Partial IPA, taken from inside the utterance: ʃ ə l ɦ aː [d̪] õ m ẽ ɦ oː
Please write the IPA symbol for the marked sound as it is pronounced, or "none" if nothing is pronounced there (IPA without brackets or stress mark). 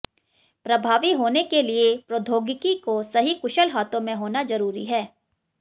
t̪